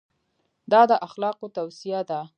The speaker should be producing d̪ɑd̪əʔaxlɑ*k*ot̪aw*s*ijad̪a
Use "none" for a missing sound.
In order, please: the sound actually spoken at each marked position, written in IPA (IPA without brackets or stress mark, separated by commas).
q, s